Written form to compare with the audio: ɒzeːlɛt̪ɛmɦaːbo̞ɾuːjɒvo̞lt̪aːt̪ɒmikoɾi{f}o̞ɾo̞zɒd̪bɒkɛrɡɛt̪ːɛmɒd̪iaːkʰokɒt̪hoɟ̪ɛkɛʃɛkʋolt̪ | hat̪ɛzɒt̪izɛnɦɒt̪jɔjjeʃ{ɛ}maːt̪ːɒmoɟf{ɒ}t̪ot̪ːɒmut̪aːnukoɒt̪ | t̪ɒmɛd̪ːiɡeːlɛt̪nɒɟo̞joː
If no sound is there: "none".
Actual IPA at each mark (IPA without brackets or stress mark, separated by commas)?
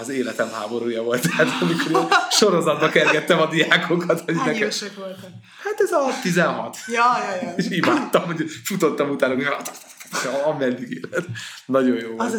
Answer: ʃ, i, u